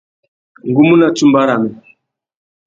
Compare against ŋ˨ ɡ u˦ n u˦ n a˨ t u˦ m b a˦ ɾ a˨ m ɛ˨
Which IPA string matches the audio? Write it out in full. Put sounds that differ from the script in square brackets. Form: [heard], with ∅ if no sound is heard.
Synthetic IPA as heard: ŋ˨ ɡ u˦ [m] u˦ n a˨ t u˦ m b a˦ ɾ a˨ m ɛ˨